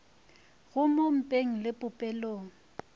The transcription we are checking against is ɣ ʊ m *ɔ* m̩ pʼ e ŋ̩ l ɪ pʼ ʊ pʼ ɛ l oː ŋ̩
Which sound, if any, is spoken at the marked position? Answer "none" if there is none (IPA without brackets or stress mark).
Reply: o